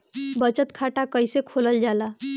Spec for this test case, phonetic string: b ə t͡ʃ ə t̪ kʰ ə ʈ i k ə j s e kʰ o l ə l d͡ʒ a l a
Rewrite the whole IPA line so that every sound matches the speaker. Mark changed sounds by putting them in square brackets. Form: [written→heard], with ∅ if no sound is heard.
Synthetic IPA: b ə t͡ʃ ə t̪ kʰ [ə→a] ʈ [i→a] k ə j s e kʰ o l ə l d͡ʒ a l a